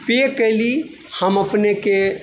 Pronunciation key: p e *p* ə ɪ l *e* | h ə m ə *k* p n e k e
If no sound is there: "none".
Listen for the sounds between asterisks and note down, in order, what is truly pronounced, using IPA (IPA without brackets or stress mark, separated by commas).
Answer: k, i, none